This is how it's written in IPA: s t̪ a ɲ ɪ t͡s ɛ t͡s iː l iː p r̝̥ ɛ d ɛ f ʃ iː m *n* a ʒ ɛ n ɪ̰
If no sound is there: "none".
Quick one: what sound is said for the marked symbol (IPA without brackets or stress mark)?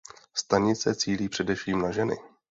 n